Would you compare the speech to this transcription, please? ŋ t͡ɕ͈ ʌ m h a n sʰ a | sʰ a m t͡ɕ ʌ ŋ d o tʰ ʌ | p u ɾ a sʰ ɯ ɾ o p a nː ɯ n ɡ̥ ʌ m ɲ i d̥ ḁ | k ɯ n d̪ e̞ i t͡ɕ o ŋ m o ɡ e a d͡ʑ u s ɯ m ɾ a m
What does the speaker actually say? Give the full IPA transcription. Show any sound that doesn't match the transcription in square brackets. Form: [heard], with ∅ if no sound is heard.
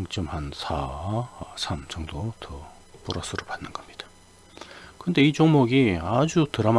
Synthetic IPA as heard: ŋ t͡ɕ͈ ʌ m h a n sʰ a | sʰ a m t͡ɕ ʌ ŋ d o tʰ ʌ | p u ɾ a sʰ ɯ ɾ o p a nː ɯ n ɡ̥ ʌ m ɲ i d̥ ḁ | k ɯ n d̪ e̞ i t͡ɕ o ŋ m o ɡ [i] a d͡ʑ u [t] ɯ [∅] ɾ a m